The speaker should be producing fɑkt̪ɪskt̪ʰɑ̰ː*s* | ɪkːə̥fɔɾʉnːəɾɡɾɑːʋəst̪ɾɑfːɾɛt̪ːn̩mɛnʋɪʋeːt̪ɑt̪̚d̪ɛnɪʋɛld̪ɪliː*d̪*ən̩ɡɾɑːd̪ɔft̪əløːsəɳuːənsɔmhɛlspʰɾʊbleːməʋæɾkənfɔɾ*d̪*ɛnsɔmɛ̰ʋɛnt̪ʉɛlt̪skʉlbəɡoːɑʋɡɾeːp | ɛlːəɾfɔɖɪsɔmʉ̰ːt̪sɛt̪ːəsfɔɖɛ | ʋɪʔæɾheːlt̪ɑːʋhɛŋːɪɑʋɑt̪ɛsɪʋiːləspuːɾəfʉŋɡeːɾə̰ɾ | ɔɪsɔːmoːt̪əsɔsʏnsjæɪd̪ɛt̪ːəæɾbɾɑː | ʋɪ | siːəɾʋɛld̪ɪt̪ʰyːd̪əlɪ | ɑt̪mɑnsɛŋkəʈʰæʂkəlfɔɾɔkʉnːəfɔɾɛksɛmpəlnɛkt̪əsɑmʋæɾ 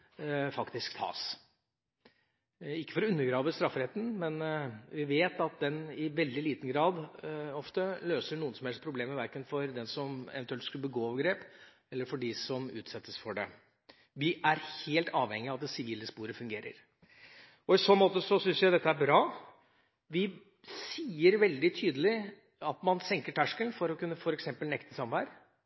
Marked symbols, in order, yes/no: yes, no, yes

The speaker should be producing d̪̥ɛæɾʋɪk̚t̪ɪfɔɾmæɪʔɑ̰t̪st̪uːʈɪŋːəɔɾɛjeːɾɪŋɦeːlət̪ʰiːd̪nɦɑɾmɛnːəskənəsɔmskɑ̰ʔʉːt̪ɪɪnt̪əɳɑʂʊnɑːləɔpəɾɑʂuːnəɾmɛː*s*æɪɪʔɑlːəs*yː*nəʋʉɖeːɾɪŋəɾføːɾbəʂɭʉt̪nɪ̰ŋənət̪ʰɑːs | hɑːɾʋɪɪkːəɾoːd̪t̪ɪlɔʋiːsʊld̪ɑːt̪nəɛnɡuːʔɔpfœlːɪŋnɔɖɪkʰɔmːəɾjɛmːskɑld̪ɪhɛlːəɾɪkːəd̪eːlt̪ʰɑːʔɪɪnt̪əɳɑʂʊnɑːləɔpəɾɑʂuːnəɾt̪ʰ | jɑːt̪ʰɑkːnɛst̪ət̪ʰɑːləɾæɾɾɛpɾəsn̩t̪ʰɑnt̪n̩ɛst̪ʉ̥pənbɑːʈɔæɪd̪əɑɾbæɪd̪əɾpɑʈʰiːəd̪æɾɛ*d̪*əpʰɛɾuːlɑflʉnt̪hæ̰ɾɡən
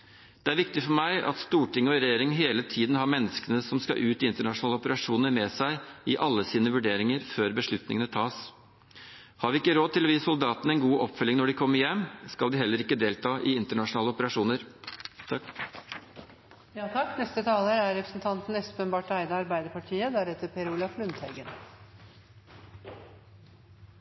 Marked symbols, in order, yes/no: yes, no, no

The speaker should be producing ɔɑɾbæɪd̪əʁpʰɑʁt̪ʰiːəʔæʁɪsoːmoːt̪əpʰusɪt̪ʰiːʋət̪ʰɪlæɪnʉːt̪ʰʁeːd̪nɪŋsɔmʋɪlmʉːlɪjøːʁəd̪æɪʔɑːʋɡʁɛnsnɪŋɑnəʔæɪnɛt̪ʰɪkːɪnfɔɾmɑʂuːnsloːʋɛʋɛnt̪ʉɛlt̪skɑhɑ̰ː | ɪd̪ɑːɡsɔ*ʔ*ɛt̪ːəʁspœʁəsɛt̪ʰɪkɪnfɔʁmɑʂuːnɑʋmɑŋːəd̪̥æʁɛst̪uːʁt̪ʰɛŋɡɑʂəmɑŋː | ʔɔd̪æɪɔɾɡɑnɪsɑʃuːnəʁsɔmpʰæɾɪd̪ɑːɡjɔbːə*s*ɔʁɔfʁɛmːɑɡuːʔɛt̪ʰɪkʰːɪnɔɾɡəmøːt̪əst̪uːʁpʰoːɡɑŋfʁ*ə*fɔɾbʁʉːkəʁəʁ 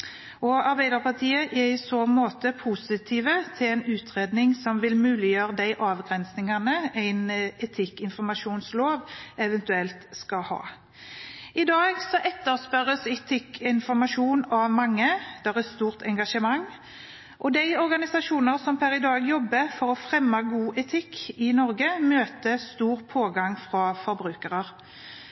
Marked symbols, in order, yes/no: yes, no, no

